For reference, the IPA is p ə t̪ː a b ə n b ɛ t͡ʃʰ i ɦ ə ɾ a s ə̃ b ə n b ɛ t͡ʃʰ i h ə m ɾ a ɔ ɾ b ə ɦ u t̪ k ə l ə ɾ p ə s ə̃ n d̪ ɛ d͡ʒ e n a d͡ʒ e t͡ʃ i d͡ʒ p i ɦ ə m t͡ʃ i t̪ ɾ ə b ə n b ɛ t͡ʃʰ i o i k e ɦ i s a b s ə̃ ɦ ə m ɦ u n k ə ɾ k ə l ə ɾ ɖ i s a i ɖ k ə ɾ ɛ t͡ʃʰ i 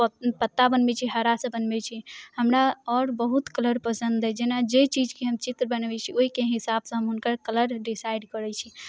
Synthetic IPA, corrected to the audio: p ə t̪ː a b ə n b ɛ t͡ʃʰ i ɦ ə ɾ a s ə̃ b ə n b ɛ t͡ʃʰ i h ə m ɾ a ɔ ɾ b ə ɦ u t̪ k ə l ə ɾ p ə s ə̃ n d̪ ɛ d͡ʒ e n a d͡ʒ e t͡ʃ i d͡ʒ k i ɦ ə m t͡ʃ i t̪ ɾ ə b ə n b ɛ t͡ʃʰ i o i k e ɦ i s a b s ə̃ ɦ ə m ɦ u n k ə ɾ k ə l ə ɾ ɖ i s a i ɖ k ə ɾ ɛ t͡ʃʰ i